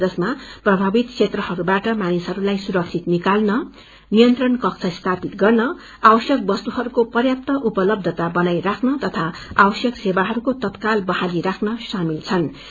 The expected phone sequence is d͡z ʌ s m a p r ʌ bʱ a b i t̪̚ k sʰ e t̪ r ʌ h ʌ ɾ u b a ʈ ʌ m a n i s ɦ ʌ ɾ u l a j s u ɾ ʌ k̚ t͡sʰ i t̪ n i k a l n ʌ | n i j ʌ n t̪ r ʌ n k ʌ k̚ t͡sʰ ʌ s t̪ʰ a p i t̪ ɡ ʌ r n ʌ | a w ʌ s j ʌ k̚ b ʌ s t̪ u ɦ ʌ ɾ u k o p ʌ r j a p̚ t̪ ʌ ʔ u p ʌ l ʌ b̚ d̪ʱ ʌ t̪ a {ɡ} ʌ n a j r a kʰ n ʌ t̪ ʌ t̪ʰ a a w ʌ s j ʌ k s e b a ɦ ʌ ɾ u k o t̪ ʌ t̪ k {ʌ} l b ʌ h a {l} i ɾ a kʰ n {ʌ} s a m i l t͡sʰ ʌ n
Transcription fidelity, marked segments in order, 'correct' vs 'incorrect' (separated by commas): incorrect, incorrect, correct, correct